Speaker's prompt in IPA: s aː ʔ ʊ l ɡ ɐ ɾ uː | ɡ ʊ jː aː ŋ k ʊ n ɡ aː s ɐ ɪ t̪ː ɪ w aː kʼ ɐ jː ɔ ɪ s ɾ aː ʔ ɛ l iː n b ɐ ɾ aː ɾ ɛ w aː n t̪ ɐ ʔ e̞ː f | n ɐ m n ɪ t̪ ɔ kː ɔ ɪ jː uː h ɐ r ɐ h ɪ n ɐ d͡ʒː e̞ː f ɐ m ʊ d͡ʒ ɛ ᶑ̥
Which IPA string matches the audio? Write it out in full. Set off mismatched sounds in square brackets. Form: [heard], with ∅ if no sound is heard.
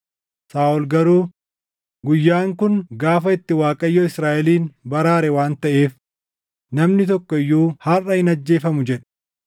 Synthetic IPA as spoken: s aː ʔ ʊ l ɡ ɐ ɾ uː | ɡ ʊ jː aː ŋ k ʊ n ɡ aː [f] ɐ ɪ t̪ː ɪ w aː kʼ ɐ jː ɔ ɪ s ɾ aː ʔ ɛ l iː n b ɐ ɾ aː ɾ ɛ w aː n t̪ ɐ ʔ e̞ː f | n ɐ m n ɪ t̪ ɔ kː ɔ ɪ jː uː h ɐ r ɐ h ɪ n ɐ d͡ʒː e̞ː f ɐ m ʊ d͡ʒ ɛ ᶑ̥